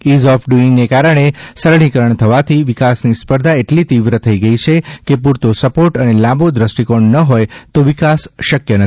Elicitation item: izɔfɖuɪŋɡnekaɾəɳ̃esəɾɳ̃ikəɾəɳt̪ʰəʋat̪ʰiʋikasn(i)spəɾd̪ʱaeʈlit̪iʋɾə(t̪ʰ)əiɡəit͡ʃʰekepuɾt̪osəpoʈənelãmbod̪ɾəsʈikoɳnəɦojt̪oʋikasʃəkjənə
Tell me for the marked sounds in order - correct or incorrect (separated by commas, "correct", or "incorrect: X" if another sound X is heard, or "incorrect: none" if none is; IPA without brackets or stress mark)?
correct, correct